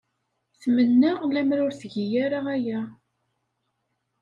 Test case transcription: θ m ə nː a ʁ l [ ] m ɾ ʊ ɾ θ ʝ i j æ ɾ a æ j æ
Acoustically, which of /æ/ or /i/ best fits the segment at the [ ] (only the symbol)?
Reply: æ